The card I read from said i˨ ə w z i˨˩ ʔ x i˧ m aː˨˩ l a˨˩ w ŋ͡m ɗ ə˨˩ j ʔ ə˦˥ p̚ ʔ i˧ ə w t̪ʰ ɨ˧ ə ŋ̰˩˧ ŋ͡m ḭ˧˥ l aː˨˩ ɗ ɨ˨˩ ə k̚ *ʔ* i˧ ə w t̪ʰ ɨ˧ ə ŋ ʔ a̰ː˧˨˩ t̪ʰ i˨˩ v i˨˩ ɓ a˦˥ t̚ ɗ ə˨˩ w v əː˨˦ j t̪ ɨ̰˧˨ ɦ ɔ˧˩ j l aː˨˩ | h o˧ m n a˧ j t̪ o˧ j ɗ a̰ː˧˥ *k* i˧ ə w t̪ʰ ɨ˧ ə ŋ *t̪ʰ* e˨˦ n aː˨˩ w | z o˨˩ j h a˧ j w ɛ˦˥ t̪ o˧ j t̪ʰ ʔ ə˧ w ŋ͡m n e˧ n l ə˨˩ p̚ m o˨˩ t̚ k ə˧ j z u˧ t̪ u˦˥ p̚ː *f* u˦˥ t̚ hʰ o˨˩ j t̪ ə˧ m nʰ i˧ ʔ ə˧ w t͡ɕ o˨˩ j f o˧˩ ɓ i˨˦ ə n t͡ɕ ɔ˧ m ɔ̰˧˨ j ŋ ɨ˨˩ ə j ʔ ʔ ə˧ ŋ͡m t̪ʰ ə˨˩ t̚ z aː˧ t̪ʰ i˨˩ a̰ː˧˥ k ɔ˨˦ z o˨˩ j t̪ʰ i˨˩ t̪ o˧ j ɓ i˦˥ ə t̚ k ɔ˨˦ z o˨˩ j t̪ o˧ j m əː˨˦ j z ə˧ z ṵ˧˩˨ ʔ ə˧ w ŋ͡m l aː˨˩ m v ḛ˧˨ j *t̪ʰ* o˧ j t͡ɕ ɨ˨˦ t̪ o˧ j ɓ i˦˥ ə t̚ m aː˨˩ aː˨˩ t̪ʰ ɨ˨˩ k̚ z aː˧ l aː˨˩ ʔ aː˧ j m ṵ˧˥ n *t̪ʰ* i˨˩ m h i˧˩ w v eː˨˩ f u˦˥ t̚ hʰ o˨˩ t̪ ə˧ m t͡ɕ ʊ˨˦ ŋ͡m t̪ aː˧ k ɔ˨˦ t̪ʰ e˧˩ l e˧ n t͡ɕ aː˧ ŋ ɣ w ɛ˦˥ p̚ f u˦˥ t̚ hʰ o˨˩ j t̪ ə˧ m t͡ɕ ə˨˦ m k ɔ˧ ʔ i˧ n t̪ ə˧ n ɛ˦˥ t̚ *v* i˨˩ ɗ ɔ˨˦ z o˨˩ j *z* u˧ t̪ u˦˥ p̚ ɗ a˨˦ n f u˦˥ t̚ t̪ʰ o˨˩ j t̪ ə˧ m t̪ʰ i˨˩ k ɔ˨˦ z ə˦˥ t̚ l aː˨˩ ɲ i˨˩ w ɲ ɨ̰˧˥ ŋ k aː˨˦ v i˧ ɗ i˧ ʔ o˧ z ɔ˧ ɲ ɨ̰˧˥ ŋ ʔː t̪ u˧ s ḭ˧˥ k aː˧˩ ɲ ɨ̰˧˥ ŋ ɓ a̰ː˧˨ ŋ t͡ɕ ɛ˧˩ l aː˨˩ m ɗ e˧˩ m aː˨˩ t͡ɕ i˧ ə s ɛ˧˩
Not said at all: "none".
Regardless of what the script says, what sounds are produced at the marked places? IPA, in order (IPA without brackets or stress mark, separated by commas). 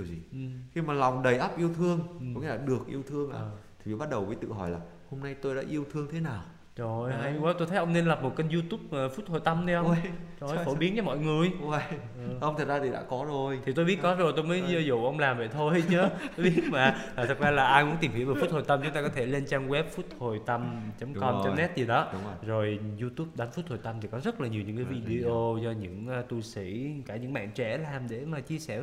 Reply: ʔ, ʔ, t̪ʰ, f, t̪ʰ, t̪, z, z